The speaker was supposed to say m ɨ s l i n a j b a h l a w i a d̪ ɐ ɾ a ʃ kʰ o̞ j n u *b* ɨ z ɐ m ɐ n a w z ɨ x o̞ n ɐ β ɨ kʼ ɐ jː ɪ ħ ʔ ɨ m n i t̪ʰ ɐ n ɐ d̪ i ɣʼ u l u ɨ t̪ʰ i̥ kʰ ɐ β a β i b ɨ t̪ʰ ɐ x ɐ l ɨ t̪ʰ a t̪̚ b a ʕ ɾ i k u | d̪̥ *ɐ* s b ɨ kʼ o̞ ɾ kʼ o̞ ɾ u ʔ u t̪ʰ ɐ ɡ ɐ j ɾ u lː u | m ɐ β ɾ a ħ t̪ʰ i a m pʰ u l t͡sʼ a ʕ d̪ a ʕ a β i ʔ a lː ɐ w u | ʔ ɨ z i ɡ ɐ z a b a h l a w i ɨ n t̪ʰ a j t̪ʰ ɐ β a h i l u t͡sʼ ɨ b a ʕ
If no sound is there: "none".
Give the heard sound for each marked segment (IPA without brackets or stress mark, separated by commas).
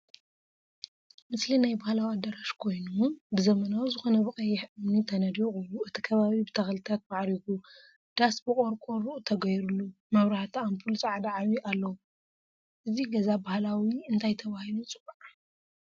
b, a